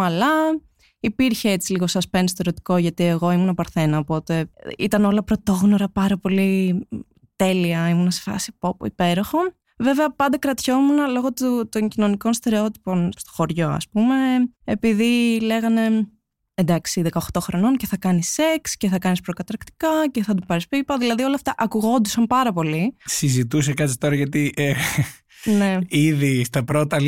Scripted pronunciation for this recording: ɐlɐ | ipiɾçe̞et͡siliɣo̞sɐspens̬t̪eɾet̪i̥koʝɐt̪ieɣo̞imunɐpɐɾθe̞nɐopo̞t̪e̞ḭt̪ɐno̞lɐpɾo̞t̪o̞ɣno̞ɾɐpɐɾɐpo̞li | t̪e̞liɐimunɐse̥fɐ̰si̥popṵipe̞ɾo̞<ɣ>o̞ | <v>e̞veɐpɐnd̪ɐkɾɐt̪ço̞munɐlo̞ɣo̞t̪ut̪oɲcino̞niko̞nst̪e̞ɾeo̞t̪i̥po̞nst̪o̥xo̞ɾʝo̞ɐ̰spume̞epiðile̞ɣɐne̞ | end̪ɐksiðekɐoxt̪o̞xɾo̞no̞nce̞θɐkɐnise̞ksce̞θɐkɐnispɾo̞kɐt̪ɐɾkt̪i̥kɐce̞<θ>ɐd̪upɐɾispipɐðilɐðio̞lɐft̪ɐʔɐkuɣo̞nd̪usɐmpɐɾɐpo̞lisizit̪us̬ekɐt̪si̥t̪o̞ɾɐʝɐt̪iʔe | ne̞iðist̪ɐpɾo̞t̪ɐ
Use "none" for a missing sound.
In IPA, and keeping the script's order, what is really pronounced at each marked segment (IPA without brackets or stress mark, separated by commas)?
x, v, θ